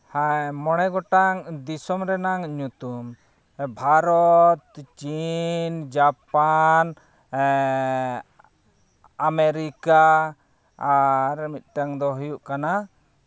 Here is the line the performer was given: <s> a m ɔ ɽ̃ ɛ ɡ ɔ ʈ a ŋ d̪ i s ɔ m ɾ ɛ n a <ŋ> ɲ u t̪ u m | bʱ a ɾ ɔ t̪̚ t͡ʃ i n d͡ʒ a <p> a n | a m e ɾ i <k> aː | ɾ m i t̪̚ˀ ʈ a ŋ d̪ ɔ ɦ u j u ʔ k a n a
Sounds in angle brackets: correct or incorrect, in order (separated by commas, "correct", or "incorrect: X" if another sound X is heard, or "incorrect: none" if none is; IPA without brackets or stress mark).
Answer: incorrect: h, correct, correct, correct